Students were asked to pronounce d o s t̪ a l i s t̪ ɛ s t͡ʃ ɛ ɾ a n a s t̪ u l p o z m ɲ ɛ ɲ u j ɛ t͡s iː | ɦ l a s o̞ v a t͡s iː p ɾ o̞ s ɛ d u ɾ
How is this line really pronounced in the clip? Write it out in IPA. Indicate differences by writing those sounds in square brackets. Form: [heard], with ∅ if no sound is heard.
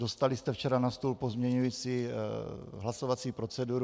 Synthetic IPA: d o s t̪ a l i s t̪ ɛ [f] t͡ʃ ɛ ɾ a n a s t̪ u l p o z m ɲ ɛ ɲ u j [i] t͡s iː | ɦ l a s o̞ v a t͡s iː p ɾ o̞ [t͡s] ɛ d u ɾ